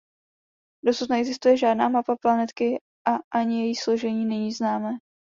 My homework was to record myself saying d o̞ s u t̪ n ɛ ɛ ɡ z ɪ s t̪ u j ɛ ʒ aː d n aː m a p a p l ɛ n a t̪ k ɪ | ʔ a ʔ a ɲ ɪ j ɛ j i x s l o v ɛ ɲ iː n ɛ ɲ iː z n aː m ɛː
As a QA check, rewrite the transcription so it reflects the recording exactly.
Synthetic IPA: d o̞ s u t̪ n ɛ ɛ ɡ z ɪ s t̪ u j ɛ ʒ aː d n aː m a p a p l a n ɛ t̪ k ɪ | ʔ a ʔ a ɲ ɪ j ɛ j i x s l o ʒ ɛ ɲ iː n ɛ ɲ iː z n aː m ɛː